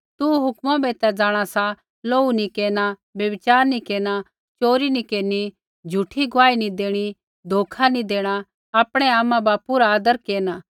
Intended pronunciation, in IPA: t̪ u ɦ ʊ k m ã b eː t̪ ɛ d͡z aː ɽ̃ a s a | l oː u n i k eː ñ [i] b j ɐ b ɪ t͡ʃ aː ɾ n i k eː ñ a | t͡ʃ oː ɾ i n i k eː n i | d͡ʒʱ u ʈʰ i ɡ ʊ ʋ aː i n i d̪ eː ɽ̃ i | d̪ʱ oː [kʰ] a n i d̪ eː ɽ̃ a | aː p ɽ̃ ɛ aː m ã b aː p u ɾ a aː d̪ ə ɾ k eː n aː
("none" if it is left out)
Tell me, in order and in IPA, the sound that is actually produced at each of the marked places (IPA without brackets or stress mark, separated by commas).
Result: a, kʰ